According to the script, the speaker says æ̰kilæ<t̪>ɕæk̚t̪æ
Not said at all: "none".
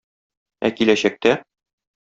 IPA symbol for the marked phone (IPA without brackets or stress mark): none